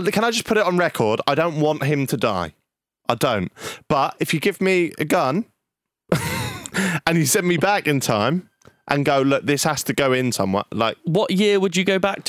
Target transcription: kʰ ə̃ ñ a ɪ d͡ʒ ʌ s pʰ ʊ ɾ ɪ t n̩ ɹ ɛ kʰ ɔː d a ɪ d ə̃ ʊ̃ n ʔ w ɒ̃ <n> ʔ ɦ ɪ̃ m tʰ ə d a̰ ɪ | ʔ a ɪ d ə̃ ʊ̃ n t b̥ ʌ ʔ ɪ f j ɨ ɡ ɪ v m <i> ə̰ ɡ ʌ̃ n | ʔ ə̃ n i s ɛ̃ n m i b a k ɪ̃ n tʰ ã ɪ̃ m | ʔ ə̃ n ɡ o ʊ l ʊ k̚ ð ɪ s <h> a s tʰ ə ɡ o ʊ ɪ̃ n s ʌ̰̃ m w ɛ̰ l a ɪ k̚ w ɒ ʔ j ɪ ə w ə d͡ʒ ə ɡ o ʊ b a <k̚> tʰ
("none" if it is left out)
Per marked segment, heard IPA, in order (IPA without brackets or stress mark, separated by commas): n, i, h, k̚